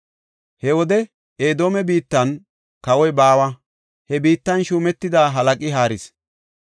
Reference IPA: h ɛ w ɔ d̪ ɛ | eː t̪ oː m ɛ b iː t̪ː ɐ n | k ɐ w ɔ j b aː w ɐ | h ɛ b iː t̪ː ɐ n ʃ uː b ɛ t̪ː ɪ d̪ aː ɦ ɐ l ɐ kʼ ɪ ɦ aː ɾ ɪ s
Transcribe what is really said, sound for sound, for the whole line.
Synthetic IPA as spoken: h ɛ w ɔ d̪ ɛ | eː d̪ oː m ɛ b iː t̪ː ɐ n | k ɐ w ɔ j b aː w ɐ | h ɛ b iː t̪ː ɐ n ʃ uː m ɛ t̪ː ɪ d̪ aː ɦ ɐ l ɐ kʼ ɪ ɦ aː ɾ ɪ s